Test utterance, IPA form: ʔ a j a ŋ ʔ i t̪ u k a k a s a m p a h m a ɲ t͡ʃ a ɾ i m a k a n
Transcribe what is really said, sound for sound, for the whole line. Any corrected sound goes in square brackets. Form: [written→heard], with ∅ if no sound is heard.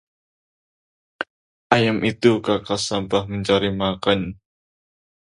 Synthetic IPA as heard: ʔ a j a [ŋ→m] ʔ i t̪ u k a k a s a m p a h m [a→ə] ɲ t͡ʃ a ɾ i m a k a n